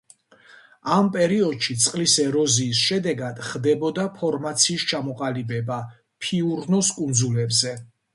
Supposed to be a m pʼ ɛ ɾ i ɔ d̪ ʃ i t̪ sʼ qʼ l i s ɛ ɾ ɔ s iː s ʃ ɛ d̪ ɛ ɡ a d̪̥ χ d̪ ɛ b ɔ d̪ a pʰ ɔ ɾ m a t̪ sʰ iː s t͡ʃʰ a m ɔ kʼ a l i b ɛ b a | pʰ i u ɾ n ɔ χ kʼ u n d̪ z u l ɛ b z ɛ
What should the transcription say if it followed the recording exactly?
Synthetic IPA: a m pʼ ɛ ɾ i ɔ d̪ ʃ i t̪ sʼ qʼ l i s ɛ ɾ ɔ z iː s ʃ ɛ d̪ ɛ ɡ a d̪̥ χ d̪ ɛ b ɔ d̪ a pʰ ɔ ɾ m a t̪ sʰ iː s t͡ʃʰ a m ɔ qʼ a l i b ɛ b a | pʰ i u ɾ n ɔ s kʼ u n d̪ z u l ɛ b z ɛ